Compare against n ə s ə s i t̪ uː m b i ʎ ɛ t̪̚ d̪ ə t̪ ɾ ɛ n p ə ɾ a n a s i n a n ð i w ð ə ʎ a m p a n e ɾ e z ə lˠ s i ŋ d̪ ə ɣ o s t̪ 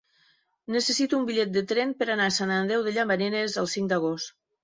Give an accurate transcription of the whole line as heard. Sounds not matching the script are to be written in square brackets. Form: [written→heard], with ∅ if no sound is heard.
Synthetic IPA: n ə s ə s i t̪ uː m b i ʎ ɛ t̪̚ d̪ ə t̪ ɾ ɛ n p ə ɾ a n a s [i→a] n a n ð [i→ɛ] w ð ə ʎ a m [p→b] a n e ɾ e z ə lˠ s i ŋ d̪ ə ɣ o s t̪